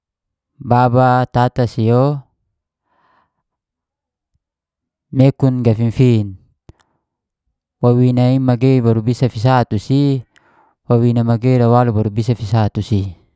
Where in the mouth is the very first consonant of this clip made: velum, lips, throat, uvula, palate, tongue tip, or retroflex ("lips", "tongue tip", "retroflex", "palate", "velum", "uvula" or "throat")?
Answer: lips